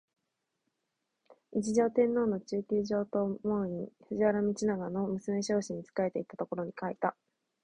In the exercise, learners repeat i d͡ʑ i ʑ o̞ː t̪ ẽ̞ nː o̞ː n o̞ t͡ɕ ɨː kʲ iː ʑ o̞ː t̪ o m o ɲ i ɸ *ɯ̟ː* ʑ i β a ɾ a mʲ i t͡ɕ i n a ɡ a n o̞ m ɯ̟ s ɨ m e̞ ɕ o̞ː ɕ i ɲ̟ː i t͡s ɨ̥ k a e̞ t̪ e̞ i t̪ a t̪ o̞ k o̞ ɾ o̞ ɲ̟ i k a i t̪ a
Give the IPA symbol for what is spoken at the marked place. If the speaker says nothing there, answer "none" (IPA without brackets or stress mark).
ɯ̟